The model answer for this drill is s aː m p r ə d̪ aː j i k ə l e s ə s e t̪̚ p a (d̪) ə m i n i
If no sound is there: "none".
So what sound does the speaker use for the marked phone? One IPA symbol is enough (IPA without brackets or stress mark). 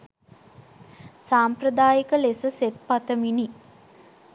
t̪